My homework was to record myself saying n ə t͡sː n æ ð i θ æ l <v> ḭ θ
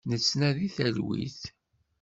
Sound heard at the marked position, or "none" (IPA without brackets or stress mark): w